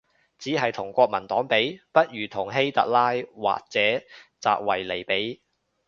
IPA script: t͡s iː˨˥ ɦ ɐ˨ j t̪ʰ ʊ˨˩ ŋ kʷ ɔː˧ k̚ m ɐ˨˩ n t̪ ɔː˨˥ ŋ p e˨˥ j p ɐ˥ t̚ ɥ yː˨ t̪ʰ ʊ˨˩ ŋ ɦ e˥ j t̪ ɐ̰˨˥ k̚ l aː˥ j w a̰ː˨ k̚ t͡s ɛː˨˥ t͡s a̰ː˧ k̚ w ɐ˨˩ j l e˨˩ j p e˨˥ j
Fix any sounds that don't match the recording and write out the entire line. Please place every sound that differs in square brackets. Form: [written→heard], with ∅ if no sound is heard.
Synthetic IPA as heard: t͡s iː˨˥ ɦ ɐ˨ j t̪ʰ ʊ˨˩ ŋ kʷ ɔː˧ k̚ m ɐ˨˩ n t̪ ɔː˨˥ ŋ p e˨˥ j p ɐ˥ t̚ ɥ yː˨ t̪ʰ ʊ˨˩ ŋ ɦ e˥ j t̪ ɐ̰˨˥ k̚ l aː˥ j w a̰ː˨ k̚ t͡s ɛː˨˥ t͡s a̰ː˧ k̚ w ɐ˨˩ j l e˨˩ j p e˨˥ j